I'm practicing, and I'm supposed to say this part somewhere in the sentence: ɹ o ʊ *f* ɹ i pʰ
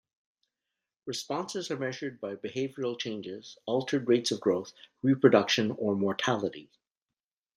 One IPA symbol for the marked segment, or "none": θ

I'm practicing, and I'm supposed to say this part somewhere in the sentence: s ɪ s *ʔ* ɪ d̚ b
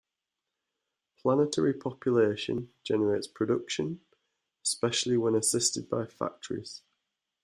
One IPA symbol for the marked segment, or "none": t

